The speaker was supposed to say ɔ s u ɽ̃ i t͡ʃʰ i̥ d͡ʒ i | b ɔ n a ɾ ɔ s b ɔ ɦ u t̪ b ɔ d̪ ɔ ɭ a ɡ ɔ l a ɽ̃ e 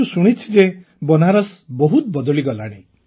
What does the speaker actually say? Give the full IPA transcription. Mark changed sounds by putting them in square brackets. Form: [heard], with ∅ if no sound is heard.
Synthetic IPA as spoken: [u] s u ɽ̃ i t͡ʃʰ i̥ d͡ʒ [e] | b ɔ n a ɾ ɔ s b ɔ ɦ u t̪ b ɔ d̪ ɔ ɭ [i] ɡ ɔ l a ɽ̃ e